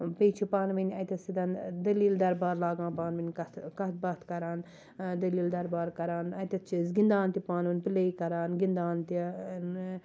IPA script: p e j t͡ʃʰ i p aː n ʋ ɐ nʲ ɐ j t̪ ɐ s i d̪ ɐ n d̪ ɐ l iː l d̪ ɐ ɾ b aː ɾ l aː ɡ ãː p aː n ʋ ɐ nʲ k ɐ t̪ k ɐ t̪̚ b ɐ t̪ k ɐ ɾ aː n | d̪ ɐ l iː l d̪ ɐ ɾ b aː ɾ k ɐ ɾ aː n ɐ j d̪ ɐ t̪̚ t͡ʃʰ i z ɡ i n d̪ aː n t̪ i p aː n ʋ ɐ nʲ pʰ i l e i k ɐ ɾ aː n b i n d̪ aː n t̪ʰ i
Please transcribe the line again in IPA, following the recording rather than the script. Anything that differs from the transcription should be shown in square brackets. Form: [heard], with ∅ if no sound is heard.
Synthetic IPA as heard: p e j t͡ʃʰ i p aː n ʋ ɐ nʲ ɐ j t̪ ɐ s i d̪ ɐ n d̪ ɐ l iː l d̪ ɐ ɾ b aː ɾ l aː ɡ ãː p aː n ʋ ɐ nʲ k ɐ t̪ k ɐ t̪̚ b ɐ t̪ k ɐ ɾ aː n | d̪ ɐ l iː l d̪ ɐ ɾ b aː ɾ k ɐ ɾ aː n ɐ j [t̪] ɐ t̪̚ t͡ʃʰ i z ɡ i n d̪ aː n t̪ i p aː n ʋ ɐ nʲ [p] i l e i k ɐ ɾ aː n [ɡ] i n d̪ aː n [t̪] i